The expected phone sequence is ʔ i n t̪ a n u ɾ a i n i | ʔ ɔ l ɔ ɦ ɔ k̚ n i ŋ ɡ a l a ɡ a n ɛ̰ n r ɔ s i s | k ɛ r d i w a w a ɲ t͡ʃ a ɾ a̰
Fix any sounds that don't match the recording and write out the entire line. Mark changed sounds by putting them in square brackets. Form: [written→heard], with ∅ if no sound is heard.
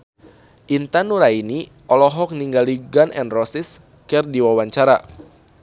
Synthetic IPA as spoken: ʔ i n t̪ a n u ɾ a i n i | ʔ ɔ l ɔ ɦ ɔ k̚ n i ŋ ɡ a l [a→i] ɡ a n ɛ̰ n r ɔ s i s | k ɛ r d i w a w a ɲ t͡ʃ a ɾ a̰